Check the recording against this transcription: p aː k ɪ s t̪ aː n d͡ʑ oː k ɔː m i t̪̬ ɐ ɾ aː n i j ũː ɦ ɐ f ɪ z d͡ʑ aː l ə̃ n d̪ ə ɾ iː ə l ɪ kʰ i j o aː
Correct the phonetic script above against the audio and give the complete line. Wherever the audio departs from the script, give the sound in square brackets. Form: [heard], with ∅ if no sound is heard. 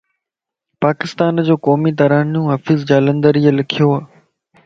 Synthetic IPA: p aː k ɪ s t̪ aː n d͡ʑ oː k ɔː m i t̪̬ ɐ ɾ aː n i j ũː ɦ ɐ f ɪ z d͡ʑ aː l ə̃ n d̪ ə ɾ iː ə l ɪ kʰ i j o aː

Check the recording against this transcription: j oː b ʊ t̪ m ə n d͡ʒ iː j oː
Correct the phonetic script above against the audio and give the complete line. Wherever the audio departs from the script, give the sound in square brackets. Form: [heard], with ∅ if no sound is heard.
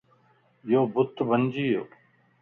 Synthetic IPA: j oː b ʊ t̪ [b] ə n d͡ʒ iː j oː

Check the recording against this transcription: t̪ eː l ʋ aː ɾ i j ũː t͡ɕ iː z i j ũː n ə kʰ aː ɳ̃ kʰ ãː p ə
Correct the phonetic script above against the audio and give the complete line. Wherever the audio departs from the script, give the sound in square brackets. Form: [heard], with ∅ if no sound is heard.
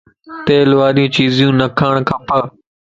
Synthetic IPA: t̪ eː l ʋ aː ɾ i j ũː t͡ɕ iː z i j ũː n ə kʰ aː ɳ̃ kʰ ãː p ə

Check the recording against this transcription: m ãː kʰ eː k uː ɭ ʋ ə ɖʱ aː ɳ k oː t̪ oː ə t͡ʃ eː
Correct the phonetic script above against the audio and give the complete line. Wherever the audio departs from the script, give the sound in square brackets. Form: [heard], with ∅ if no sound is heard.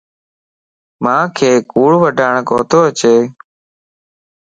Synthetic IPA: m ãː kʰ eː k uː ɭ ʋ ə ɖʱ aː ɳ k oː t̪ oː ə t͡ʃ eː

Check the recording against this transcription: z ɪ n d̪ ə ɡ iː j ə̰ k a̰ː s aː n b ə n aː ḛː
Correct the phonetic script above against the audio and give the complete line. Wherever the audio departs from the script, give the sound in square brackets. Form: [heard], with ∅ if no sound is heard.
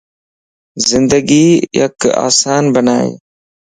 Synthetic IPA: z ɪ n d̪ ə ɡ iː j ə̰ k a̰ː s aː n b ə n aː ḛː

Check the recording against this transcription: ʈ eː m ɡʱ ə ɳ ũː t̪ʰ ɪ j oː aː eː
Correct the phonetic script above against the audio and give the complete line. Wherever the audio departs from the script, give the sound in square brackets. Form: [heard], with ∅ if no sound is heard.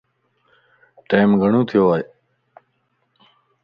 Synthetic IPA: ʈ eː m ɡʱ ə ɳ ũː t̪ʰ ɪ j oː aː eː

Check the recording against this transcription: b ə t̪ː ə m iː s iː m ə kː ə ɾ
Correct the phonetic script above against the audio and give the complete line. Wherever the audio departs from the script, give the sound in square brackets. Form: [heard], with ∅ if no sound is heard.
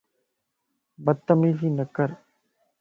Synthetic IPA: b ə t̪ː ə m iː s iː [n] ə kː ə ɾ

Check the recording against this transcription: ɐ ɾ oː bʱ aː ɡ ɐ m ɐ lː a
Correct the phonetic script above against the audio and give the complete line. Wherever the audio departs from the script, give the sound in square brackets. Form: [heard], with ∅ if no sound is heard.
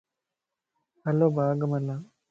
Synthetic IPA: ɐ [l] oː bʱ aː ɡ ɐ m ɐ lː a

